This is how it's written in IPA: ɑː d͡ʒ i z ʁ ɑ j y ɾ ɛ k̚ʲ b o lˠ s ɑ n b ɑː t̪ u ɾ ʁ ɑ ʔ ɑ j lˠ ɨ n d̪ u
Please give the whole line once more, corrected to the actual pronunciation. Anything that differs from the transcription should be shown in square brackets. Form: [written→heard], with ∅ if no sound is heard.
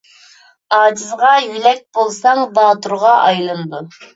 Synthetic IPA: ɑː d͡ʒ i z ʁ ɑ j y [ɾ→l] ɛ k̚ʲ b o lˠ s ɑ [n→ŋ] b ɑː t̪ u ɾ ʁ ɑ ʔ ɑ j lˠ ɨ n d̪ u